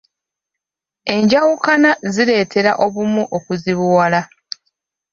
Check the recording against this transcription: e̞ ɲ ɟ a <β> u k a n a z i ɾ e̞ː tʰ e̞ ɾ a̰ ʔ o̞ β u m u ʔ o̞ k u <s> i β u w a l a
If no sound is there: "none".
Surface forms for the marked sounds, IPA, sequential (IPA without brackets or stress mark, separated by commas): w, z